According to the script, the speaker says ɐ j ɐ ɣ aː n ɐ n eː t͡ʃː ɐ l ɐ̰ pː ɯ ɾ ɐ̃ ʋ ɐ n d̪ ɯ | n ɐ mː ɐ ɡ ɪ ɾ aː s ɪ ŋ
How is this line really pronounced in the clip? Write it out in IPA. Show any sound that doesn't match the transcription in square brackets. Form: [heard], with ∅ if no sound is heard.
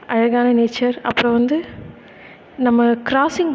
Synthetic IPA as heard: ɐ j ɐ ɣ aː n ɐ n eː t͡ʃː ɐ [ɾ] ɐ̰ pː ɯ ɾ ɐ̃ ʋ ɐ n d̪ ɯ | n ɐ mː ɐ [k] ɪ ɾ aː s ɪ ŋ